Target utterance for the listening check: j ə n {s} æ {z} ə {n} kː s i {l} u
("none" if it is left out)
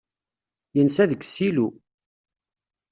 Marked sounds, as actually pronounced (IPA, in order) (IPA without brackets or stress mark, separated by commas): s, ð, none, l